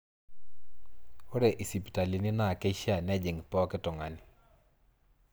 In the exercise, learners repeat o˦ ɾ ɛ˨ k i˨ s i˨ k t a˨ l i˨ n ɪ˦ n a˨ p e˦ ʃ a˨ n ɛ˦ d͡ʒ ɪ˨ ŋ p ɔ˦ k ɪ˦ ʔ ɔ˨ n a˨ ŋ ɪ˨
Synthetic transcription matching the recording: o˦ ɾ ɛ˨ ʔ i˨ s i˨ p t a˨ l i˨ n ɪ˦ n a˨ k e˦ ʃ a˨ n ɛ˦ d͡ʒ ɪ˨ ŋ p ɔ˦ k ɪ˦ t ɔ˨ ŋ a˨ n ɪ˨